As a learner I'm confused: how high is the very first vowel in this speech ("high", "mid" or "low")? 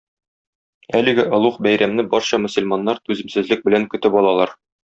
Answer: low